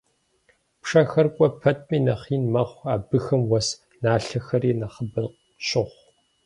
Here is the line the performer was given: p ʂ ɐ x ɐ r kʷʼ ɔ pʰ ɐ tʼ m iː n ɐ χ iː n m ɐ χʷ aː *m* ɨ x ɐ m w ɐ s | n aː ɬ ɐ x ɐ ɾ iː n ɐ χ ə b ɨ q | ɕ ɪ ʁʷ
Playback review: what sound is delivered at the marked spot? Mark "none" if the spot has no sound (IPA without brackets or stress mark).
b